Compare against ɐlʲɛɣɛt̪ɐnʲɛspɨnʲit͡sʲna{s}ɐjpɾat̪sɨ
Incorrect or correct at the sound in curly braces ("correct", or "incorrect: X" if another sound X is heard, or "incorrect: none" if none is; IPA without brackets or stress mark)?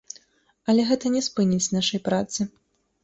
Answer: incorrect: ʂ